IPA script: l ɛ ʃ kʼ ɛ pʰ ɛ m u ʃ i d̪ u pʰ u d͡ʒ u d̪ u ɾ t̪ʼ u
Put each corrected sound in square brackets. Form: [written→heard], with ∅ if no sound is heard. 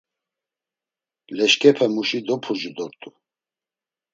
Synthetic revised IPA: l ɛ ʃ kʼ ɛ pʰ ɛ m u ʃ i d̪ [u→ɔ] pʰ u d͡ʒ u d̪ [u→ɔ] ɾ t̪ʼ u

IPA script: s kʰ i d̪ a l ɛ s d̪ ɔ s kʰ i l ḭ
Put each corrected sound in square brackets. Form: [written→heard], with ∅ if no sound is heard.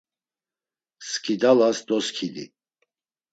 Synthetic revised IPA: s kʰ i d̪ a l [ɛ→a] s d̪ ɔ s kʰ i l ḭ

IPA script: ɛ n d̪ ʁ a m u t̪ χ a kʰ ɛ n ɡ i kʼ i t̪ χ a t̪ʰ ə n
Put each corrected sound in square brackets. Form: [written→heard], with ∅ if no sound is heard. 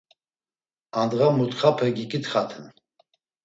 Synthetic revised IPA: [ɛ→a] n d̪ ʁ a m u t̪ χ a [kʰ→pʰ] ɛ [n→∅] ɡ i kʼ i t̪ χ a t̪ʰ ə n

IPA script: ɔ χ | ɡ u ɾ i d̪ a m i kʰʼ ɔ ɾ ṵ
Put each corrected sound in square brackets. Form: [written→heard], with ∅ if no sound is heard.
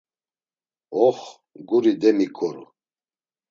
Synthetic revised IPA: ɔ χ | ɡ u ɾ i d̪ [a→ɛ] m i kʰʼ ɔ ɾ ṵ

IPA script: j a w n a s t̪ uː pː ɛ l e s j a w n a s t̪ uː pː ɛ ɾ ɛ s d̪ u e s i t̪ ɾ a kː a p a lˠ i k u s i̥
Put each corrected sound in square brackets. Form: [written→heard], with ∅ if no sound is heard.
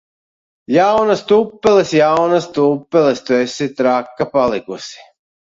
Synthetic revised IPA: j a w n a s t̪ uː pː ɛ l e s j a w n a s t̪ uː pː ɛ [ɾ→l] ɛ s [d̪→t̪] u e s i t̪ ɾ a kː a p a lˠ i k u s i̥

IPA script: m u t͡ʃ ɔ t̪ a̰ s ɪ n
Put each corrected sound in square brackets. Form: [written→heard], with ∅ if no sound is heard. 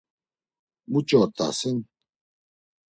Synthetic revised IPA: m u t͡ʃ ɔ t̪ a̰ s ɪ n

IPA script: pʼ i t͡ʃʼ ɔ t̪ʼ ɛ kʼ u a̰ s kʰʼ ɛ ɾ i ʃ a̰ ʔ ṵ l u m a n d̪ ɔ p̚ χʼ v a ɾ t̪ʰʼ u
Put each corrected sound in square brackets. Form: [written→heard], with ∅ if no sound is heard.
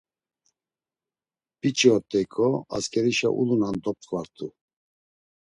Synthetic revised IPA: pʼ i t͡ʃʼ ɔ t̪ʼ ɛ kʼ [u→ɔ] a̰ s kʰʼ ɛ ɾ i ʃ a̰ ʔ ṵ l u [m→n] a n d̪ ɔ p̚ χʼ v a ɾ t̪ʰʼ u

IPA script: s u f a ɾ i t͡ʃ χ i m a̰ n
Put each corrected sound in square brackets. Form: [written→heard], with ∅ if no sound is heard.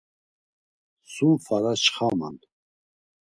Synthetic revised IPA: s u f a ɾ [i→a] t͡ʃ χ [i→a] m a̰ n

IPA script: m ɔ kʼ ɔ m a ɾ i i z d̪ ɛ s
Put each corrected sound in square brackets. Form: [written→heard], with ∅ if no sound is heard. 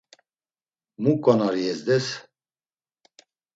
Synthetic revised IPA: m [ɔ→u] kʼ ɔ [m→n] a ɾ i [i→ɛ] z d̪ ɛ s

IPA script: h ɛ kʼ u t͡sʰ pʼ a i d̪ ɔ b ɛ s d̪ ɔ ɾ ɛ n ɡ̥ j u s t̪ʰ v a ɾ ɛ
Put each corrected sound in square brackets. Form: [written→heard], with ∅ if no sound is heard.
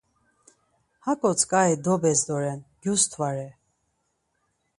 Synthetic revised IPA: h [ɛ→a] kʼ [u→ɔ] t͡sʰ [pʼ→kʼ] a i d̪ ɔ b ɛ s d̪ ɔ ɾ ɛ n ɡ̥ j u s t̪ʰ v a ɾ ɛ

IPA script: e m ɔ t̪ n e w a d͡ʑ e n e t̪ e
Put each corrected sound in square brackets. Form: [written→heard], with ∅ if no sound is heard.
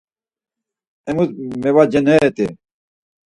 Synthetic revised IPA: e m [ɔ→u] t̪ [n→m] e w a d͡ʑ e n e t̪ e

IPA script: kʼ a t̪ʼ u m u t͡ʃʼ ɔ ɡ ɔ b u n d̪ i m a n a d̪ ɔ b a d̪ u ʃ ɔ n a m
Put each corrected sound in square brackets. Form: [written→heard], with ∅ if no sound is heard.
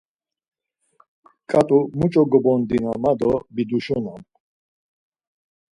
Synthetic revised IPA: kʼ a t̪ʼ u m u t͡ʃʼ ɔ ɡ ɔ b [u→ɔ] n d̪ i [m→n] a [n→m] a d̪ ɔ b [a→i] d̪ u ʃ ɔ n a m

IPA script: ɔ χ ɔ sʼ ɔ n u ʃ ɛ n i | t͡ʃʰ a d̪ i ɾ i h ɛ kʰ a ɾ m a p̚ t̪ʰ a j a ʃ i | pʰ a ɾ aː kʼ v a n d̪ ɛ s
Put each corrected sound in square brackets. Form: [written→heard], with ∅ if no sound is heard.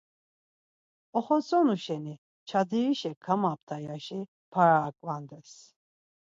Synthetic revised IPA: ɔ χ ɔ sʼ ɔ n u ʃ ɛ n i | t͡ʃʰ a d̪ i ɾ i [h→ʃ] ɛ kʰ a [ɾ→∅] m a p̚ t̪ʰ a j a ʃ i | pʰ a ɾ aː kʼ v a n d̪ ɛ s

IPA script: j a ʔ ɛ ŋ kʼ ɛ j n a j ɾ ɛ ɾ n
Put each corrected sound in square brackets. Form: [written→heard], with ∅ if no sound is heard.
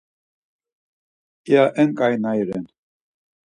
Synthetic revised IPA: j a ʔ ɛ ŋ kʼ [ɛ→a] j n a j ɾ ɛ [ɾ→∅] n

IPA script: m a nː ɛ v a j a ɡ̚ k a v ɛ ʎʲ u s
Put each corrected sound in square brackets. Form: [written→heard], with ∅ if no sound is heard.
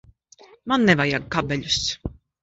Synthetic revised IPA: m a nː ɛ v a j a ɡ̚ k a [v→b] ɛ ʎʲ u s

